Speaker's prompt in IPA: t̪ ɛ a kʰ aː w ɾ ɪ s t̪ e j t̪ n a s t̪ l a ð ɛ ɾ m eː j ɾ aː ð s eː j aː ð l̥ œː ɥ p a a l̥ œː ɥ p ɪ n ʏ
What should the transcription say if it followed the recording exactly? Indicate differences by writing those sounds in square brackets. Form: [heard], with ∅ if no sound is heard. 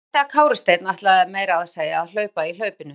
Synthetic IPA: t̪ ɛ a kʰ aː w ɾ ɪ s t̪ e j t̪ n a [h] t̪ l a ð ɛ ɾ m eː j ɾ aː ð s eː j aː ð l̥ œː ɥ p a [i] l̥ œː ɥ p ɪ n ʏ